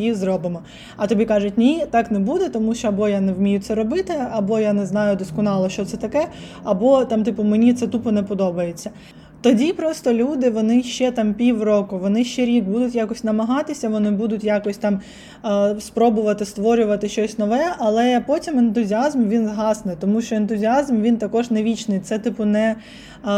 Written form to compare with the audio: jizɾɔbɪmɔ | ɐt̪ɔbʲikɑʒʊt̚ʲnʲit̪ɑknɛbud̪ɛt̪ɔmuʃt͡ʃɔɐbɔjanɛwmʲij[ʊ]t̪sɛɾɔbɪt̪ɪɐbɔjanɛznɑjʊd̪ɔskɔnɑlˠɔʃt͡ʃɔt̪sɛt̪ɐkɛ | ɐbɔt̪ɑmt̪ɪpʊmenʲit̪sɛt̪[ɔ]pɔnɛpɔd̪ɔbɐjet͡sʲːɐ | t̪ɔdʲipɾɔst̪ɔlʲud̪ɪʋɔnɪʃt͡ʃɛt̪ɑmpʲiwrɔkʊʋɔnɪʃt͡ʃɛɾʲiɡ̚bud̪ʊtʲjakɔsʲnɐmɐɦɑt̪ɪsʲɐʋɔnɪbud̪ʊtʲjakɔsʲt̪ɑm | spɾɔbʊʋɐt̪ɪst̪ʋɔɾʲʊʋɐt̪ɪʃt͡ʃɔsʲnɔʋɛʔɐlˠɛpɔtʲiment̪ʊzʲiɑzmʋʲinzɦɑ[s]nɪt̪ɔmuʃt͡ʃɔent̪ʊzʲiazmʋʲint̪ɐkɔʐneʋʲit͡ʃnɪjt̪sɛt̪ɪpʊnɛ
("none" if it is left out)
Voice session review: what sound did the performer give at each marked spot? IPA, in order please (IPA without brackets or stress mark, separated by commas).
ʊ, u, s